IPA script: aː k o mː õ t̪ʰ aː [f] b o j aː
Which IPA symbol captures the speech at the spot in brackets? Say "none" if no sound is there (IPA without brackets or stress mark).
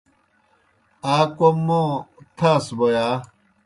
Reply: s